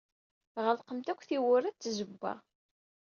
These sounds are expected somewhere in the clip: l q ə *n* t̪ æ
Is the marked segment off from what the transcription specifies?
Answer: yes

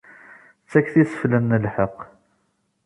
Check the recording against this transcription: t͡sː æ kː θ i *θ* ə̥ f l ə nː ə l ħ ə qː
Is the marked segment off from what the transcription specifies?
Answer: yes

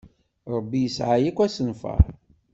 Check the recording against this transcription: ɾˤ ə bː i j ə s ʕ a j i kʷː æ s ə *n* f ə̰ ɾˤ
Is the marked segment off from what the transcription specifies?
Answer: no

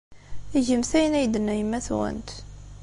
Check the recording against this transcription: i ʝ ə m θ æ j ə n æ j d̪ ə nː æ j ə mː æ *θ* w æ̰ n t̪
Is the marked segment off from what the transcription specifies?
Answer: no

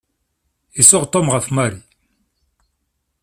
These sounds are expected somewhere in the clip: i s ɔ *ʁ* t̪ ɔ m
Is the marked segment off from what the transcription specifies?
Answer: no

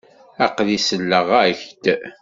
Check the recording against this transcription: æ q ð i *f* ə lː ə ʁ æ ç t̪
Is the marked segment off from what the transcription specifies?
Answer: yes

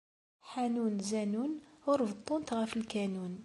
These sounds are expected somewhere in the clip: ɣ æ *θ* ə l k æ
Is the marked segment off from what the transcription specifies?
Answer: yes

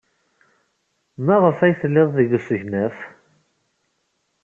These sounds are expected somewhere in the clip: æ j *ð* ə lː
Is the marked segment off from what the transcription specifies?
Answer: yes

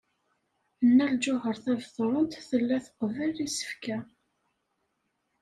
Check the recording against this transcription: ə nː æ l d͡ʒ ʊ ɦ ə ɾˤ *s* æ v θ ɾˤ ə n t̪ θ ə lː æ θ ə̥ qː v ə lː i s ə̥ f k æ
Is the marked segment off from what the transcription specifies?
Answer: yes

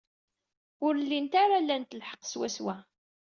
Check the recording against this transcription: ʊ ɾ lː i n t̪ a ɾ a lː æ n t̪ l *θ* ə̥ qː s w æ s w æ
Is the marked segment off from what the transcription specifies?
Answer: yes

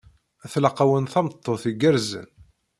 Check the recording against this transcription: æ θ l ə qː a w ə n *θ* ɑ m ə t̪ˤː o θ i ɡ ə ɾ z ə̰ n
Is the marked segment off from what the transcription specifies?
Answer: no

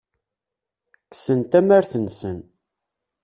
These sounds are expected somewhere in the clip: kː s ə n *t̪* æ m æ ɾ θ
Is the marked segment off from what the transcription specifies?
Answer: no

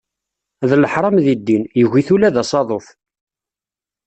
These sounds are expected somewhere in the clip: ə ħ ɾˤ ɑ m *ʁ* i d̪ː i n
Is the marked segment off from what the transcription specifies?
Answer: yes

